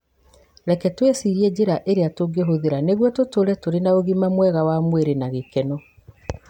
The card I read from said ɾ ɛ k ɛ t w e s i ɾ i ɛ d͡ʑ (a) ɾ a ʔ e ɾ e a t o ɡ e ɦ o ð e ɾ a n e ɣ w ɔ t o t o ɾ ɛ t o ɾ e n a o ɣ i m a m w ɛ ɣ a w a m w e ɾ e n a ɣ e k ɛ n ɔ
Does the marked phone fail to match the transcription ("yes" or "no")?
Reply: yes